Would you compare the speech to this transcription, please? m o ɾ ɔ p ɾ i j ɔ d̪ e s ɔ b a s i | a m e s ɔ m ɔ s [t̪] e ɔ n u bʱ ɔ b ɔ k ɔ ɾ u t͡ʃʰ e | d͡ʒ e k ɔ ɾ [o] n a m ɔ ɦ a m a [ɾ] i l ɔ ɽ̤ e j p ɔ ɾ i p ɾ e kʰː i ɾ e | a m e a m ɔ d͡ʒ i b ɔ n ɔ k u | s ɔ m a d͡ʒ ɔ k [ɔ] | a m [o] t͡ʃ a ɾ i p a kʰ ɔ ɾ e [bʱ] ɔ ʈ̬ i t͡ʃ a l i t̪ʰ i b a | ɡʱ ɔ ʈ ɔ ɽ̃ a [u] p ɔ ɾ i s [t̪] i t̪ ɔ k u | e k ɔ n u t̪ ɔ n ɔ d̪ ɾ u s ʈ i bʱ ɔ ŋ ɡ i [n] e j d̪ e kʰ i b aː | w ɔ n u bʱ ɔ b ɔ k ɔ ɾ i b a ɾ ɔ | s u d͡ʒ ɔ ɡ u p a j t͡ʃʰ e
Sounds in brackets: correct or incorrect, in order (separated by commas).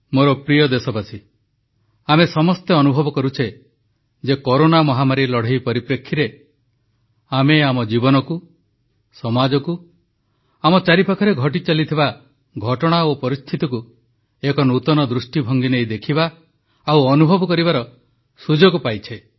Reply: correct, correct, correct, incorrect, incorrect, incorrect, incorrect, incorrect, correct